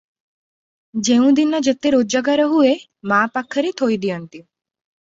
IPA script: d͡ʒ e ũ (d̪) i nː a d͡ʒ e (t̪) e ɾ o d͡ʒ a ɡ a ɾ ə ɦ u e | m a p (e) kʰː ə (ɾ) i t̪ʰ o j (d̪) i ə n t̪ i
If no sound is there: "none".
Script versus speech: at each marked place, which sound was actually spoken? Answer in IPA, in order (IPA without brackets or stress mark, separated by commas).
d̪, t̪, a, ɾ, d̪